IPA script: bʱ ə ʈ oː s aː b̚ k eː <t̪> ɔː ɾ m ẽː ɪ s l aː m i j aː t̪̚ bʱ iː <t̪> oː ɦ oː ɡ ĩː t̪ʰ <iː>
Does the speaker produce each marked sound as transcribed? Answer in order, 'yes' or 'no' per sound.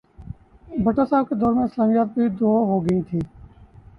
no, no, yes

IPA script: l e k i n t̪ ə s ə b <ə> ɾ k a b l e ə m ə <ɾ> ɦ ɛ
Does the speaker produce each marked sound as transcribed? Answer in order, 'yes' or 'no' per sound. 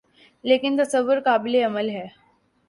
yes, no

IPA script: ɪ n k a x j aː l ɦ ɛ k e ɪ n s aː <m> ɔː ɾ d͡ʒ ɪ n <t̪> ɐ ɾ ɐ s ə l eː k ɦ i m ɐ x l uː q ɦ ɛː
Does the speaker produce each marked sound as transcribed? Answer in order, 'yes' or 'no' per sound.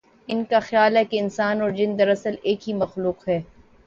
no, no

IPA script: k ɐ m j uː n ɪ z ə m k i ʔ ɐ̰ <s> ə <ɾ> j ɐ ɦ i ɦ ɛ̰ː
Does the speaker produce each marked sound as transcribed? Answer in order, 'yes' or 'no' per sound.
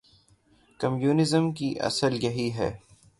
yes, no

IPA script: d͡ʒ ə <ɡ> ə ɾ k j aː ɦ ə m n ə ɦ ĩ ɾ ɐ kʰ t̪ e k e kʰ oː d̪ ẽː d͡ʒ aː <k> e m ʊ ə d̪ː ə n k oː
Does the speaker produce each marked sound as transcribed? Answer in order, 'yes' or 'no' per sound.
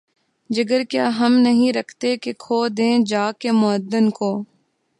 yes, yes

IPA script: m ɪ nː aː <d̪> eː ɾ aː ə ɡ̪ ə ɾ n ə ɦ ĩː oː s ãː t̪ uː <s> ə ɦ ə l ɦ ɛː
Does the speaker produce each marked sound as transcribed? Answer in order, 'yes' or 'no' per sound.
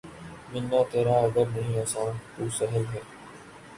no, yes

